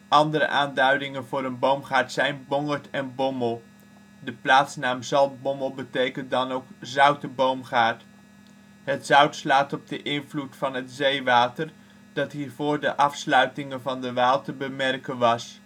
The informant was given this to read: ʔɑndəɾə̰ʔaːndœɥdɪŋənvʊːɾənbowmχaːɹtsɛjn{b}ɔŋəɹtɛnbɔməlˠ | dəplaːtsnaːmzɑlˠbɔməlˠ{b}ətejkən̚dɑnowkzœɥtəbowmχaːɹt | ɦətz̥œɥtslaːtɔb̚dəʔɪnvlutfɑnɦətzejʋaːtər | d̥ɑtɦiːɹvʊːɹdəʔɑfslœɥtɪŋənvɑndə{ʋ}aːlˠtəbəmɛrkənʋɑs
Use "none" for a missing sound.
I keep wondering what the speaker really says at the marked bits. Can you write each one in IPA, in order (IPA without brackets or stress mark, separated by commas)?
b, b, ʋ